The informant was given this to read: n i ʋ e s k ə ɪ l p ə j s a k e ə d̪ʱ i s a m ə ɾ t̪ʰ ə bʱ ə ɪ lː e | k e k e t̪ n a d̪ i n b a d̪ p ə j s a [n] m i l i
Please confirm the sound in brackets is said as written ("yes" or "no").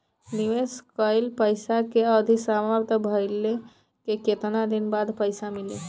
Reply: no